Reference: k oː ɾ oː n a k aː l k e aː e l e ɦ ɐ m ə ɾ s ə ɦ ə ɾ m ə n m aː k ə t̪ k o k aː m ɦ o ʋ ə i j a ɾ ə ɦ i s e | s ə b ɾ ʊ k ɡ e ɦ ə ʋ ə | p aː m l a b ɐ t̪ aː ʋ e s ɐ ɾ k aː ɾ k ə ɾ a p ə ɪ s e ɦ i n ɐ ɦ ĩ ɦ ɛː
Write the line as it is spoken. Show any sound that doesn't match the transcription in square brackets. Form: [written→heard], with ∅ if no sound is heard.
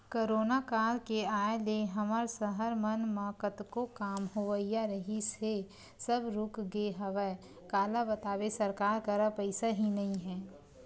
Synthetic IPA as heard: k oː ɾ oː n a k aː l k e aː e l e ɦ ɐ m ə ɾ s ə ɦ ə ɾ m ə n m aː k ə t̪ k o k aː m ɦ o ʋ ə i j a ɾ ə ɦ i s e | s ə b ɾ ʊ k ɡ e ɦ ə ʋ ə | [p→k] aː [m→∅] l a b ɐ t̪ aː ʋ e s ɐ ɾ k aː ɾ k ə ɾ a p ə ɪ s [e→a] ɦ i n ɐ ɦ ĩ ɦ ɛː